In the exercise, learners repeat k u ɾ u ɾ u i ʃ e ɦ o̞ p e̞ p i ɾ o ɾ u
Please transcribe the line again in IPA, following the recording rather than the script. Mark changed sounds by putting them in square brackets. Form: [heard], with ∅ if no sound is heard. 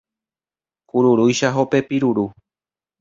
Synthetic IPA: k u ɾ u ɾ u [j] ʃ [a] ɦ o̞ p e̞ p i ɾ [u] ɾ u